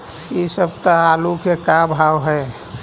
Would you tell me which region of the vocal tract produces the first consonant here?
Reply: tongue tip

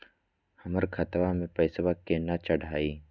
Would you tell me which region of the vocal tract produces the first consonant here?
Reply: throat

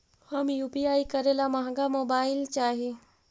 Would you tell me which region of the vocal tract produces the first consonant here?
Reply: throat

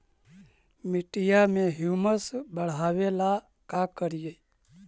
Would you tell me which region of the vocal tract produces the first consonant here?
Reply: lips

